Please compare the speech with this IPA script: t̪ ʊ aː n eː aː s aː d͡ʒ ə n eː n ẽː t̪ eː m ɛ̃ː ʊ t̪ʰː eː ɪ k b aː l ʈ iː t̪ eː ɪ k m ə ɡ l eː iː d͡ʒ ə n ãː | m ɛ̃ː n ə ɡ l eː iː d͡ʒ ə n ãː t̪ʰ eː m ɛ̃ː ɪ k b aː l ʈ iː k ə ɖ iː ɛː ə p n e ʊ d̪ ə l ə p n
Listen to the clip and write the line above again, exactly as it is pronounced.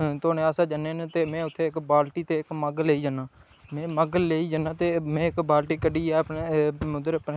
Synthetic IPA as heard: t̪ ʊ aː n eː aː s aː d͡ʒ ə n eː n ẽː t̪ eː m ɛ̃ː ʊ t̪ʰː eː ɪ k b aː l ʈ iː t̪ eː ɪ k m ə ɡ l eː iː d͡ʒ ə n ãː | m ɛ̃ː m ə ɡ l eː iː d͡ʒ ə n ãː t̪ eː m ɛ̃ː ɪ k b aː l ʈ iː k ə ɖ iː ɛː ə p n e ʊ d̪ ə ɾ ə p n

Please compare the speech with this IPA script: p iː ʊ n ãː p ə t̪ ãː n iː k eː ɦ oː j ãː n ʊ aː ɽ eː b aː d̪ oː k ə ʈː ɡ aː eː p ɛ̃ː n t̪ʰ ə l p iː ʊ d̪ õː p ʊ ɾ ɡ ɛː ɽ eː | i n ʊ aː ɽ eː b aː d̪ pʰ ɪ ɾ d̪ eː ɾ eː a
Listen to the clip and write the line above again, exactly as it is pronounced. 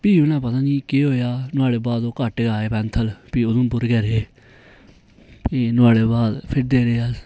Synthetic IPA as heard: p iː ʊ n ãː p ə t̪ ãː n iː k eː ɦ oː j aː n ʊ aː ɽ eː b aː d̪ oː k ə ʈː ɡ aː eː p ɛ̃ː n t̪ʰ ə l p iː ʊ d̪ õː p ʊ ɾ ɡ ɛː ɾ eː | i n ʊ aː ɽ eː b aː d̪ pʰ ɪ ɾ d̪ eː ɾ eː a

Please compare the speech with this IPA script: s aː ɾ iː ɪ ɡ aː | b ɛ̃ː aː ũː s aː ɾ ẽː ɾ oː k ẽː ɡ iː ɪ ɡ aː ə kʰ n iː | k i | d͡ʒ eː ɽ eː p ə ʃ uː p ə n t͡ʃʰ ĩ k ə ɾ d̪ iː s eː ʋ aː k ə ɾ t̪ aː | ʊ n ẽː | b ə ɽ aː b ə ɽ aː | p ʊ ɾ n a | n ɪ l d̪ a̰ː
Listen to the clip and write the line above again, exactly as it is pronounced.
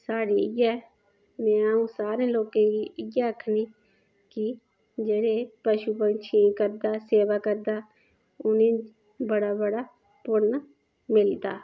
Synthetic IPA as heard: s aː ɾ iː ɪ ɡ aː | m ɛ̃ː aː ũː s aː ɾ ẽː l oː k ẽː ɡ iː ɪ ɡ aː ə kʰ n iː | k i | d͡ʒ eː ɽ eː p ə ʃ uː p ə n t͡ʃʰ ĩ k ə ɾ d̪ aː s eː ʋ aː k ə ɾ d̪ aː | ʊ n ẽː | b ə ɽ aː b ə ɽ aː | p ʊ ɾ n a | m ɪ l d̪ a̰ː

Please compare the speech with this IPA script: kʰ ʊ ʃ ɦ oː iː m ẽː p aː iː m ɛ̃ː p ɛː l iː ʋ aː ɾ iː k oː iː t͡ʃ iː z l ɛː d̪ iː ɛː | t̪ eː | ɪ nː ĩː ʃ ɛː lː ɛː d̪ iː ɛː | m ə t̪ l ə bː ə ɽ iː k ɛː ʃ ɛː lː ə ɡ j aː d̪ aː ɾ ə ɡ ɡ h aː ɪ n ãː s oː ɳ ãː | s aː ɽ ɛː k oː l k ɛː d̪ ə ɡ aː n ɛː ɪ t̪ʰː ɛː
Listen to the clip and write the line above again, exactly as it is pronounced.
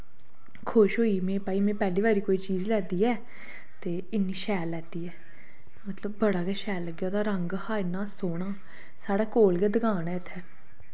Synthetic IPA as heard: kʰ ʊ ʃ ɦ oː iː m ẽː p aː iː m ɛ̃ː p ɛː l iː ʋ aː ɾ iː k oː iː t͡ʃ iː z l ɛː d̪ iː ɛː | t̪ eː | ɪ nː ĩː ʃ ɛː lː ɛː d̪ iː ɛː | m ə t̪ l ə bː ə ɽ aː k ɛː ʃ ɛː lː ə ɡ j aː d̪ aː ɾ ə ŋ ɡ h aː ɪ n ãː s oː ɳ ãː | s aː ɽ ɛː k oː l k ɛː d̪ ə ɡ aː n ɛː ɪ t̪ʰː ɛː

